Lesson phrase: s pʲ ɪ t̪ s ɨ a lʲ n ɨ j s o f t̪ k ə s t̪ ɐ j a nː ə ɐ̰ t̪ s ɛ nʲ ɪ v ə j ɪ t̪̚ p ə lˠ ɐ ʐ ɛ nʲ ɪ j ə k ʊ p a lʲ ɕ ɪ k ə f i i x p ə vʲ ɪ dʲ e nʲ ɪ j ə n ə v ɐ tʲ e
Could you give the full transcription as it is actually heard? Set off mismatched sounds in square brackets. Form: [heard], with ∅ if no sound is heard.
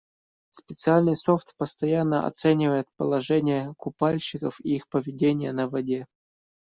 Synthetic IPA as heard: s pʲ ɪ t̪ s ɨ a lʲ n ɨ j s o f t̪ [p] ə s t̪ ɐ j a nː ə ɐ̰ t̪ s ɛ nʲ ɪ v ə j ɪ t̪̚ p ə lˠ ɐ ʐ ɛ nʲ ɪ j ə k ʊ p a lʲ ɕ ɪ k ə f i i x p ə vʲ ɪ dʲ e nʲ ɪ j ə n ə v ɐ [dʲ] e